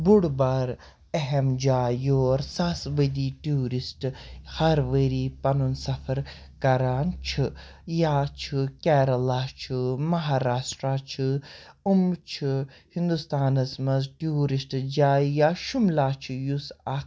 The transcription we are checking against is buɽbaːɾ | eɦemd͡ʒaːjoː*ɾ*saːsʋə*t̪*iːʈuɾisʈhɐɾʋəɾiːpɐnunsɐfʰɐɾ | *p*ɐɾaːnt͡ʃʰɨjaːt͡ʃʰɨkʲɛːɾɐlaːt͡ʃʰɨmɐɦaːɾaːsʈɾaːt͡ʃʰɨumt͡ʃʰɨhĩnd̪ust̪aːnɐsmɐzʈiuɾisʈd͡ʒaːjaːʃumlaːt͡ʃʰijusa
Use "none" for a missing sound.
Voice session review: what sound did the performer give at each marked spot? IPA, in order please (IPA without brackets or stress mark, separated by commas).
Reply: ɾ, d̪, k